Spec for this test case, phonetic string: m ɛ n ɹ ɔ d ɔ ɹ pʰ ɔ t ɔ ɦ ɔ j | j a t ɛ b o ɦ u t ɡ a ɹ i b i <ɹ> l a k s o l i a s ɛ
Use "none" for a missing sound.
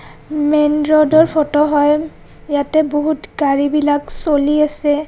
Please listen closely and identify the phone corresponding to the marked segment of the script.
none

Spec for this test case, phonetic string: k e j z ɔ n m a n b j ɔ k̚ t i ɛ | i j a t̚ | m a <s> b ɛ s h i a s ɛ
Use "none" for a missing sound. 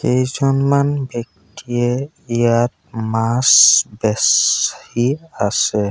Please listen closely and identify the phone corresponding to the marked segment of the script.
s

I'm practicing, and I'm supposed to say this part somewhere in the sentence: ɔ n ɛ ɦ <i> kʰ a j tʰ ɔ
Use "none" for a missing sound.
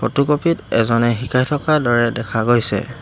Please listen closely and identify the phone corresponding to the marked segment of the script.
i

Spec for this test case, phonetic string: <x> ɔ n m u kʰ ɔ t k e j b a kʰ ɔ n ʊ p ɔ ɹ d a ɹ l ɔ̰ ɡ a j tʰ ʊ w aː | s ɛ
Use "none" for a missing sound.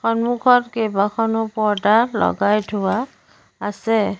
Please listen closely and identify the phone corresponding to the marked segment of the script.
x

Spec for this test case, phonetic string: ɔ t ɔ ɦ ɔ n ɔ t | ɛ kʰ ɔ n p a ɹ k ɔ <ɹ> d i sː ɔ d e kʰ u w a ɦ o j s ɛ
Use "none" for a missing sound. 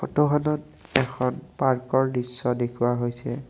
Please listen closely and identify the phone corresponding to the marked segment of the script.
ɹ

